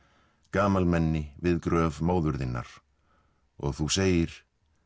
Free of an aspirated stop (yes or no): yes